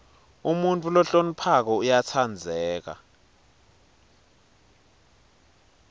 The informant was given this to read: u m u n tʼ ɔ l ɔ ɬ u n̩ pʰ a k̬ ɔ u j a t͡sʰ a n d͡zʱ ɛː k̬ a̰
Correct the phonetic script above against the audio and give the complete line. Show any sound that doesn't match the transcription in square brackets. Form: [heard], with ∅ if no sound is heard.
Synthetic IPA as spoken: u m u n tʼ [u] l ɔ ɬ [o] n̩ pʰ a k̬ ɔ u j a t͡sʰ a n d͡zʱ ɛː k̬ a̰